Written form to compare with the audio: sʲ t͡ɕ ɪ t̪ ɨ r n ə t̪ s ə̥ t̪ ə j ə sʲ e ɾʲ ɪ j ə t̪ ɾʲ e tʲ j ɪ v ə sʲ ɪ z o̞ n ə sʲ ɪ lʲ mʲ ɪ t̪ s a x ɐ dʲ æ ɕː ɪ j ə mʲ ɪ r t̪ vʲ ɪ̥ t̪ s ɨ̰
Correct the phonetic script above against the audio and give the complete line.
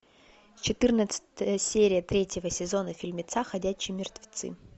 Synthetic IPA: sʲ t͡ɕ ɪ t̪ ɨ r n ə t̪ s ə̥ t̪ ə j ə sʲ e ɾʲ ɪ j ə t̪ ɾʲ e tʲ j ɪ v ə sʲ ɪ z o̞ n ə fʲ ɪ lʲ mʲ ɪ t̪ s a x ɐ dʲ æ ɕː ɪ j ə mʲ ɪ r t̪ vʲ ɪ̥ t̪ s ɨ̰